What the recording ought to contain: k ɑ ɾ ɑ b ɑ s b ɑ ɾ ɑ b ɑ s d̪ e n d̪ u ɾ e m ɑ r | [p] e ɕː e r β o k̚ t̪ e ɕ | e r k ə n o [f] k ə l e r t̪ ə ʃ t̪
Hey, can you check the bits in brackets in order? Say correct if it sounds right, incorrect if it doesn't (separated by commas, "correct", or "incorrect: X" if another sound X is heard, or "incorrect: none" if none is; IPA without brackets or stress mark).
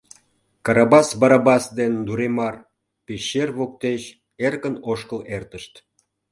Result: correct, incorrect: ʃ